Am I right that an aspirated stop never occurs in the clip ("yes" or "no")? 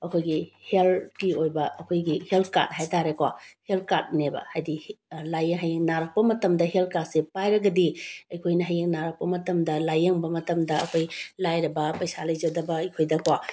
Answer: no